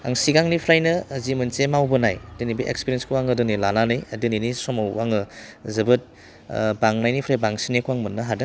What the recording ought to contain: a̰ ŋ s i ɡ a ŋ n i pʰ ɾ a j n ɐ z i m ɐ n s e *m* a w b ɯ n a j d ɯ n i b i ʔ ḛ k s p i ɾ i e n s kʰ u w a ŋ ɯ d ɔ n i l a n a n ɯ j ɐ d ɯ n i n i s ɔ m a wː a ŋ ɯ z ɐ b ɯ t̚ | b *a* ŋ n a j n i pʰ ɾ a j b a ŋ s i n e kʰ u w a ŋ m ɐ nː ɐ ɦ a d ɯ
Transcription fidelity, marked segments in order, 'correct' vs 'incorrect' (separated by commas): correct, correct